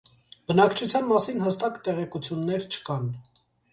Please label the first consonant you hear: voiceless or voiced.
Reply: voiced